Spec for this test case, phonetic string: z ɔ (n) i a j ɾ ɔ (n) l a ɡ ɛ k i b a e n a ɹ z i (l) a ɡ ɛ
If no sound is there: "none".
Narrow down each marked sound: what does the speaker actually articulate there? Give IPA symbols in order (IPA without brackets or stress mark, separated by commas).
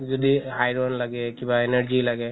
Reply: d, n, l